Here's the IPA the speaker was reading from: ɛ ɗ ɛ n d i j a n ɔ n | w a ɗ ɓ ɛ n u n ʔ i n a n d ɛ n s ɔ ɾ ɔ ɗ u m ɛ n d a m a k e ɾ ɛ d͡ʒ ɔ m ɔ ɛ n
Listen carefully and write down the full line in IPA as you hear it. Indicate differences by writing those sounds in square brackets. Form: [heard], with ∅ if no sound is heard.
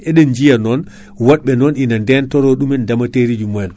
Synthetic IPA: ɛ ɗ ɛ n [d͡ʒ] i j a n ɔ n | w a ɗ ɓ ɛ n [ɔ] n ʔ i n a n d ɛ n [t] ɔ ɾ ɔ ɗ u m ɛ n d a m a [t] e ɾ [i] d͡ʒ [u] m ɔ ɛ n

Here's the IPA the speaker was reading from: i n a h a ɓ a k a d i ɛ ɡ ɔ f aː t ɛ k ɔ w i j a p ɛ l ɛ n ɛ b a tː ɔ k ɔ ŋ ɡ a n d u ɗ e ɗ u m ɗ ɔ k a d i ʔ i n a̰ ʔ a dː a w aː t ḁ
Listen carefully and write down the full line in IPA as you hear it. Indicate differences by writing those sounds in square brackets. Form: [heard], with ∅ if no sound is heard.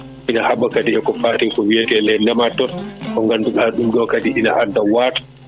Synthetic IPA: i n a h a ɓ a k a d i ɛ [k] ɔ f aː t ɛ k ɔ w i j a [t] ɛ l ɛ n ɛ [m] a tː ɔ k ɔ ŋ ɡ a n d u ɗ [a] ɗ u m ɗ ɔ k a d i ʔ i n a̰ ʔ a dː a w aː t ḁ

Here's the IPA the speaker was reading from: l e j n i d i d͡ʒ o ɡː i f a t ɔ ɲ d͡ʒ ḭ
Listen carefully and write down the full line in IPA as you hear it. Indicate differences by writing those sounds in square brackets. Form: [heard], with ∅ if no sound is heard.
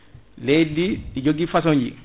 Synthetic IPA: l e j [d] i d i d͡ʒ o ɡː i f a [s] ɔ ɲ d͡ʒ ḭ

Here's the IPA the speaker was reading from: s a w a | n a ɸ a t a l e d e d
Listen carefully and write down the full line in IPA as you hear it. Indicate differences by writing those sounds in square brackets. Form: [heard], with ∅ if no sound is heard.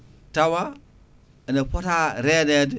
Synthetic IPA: [t] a w a | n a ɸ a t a [ɾ] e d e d

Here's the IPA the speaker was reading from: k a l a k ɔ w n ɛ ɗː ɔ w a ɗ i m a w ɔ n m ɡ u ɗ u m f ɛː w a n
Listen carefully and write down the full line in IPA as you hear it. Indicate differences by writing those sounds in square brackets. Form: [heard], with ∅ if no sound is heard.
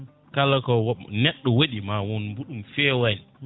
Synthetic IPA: k a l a k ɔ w n ɛ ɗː ɔ w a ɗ i m a w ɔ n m [b] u ɗ u m f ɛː w a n

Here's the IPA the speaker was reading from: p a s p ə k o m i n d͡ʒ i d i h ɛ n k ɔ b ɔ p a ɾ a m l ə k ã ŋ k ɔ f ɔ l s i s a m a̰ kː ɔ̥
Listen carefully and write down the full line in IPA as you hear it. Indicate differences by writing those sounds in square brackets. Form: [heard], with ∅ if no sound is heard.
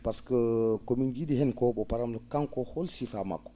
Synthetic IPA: p a s [k] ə k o m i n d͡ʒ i d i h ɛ n k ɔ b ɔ p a ɾ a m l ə k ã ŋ k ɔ [h] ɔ l s i [f] a m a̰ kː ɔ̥

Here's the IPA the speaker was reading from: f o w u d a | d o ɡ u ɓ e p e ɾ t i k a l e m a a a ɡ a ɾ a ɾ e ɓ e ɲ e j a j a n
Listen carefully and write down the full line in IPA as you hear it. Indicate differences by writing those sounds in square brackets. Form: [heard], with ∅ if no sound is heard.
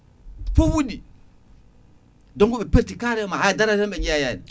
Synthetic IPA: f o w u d [i] | d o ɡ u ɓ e p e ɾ t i k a [ɾ] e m a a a [d] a ɾ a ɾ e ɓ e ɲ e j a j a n

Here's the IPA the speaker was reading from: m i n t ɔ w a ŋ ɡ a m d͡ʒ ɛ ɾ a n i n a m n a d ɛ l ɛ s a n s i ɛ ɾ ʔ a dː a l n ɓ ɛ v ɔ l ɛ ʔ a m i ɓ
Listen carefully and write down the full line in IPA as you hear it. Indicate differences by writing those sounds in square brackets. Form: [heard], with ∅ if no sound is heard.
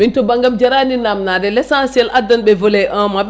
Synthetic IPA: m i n t ɔ [b] a ŋ ɡ a m d͡ʒ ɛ ɾ a n i n a m n a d ɛ l ɛ s a n s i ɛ [l] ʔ a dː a [∅] n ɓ ɛ v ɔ l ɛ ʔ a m [a] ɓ

